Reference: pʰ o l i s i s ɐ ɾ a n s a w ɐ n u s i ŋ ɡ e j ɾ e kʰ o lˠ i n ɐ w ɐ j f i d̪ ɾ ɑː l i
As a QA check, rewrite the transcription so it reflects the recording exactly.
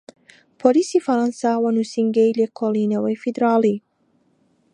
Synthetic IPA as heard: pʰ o l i s i f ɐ ɾ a n s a w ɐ n u s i ŋ ɡ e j l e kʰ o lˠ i n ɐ w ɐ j f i d̪ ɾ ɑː l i